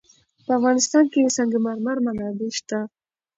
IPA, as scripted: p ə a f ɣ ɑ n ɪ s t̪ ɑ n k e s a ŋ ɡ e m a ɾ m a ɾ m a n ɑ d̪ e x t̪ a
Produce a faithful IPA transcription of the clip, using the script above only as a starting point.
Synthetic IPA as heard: p ə a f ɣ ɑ n ɪ s t̪ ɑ n k e s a ŋ ɡ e m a ɾ m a ɾ m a n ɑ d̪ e ʃ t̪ a

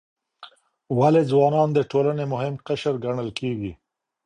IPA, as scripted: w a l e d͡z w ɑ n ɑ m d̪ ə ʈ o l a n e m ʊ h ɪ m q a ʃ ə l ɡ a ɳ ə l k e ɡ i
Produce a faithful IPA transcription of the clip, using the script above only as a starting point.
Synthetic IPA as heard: w a l e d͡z w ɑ n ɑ n d̪ ə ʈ o l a n e m ʊ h ɪ m q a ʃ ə ɾ ɡ a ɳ ə l k e ɡ i

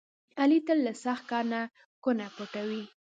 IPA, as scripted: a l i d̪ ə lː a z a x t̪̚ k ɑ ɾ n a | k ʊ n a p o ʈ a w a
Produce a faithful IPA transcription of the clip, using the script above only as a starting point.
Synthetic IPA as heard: a l i t̪ ə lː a s a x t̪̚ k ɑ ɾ n a | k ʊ n a p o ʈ a w i

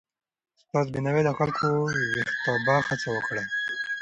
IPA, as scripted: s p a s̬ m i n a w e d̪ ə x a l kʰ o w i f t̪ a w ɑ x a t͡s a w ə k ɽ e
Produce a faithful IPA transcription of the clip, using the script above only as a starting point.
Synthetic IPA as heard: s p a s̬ b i n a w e d̪ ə x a l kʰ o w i x t̪ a b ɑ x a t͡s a w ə k ɽ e

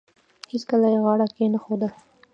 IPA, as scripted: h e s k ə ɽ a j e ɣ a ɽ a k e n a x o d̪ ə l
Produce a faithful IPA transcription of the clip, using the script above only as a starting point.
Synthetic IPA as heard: h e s k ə l a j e ɣ ɑ ɽ a k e n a x o d̪ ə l

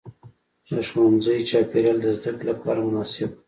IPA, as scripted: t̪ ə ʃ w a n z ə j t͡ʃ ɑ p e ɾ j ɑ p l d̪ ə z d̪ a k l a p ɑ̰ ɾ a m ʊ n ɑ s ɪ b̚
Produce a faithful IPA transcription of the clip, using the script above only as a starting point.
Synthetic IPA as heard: d̪ ə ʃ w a n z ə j t͡ʃ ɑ p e ɾ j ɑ l d̪ ə z d̪ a k l a p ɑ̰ ɾ a m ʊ n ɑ s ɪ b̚

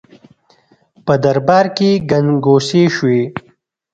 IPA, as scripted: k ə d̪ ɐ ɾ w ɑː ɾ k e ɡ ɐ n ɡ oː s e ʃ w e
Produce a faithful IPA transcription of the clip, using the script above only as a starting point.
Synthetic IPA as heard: p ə d̪ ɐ ɾ b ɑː ɾ k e ɡ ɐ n ɡ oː s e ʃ w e

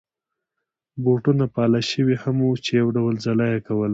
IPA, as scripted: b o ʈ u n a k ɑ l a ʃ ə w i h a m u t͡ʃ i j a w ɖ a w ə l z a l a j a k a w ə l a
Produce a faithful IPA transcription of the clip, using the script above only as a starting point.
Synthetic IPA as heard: b o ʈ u n a p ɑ l a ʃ ə w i h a m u t͡ʃ e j a w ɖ a w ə l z a l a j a k a w ə l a

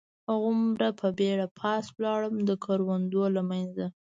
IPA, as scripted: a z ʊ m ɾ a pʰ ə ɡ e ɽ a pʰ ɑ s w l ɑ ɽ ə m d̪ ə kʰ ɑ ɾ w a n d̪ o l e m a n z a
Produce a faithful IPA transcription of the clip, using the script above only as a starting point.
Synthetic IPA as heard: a ɣ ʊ m ɾ a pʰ ə b e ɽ a pʰ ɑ s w l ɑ ɽ ə m d̪ ə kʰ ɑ ɾ w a n d̪ o l a m a n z a

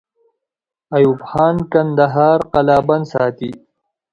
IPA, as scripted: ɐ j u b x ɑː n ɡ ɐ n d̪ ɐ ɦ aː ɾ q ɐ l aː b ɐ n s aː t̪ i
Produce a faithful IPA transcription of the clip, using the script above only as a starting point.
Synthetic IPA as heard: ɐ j u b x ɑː n k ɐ n d̪ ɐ ɦ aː ɾ q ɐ l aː b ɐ n s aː t̪ i

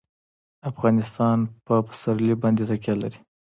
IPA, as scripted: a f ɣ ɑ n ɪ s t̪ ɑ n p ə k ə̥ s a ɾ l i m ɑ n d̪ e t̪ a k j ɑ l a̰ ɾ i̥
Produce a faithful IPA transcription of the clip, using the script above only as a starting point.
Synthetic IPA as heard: a f ɣ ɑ n ɪ s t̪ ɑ n p ə p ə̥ s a ɾ l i b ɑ n d̪ e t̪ a k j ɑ l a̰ ɾ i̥

